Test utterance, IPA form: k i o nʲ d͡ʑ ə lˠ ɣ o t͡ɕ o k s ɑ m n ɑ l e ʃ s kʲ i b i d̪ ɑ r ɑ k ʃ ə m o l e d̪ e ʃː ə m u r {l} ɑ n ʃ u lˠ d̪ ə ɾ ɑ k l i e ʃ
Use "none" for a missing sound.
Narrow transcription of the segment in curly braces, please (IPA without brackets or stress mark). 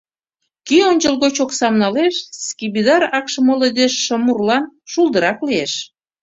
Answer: l